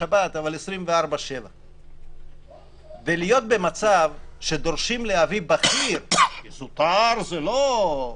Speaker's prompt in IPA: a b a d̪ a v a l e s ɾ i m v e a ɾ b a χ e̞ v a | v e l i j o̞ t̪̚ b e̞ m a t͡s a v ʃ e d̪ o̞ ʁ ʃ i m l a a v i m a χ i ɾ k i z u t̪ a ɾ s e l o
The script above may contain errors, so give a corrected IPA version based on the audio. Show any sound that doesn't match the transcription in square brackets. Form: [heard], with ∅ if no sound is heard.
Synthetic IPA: a b a [t̪] a v a l e s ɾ i m v e a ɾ b a [ʃ] e̞ v a | v e l i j o̞ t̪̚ b e̞ m a t͡s a v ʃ e d̪ o̞ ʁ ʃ i m l [e] a v i [b] a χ i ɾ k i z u t̪ a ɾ [z] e l o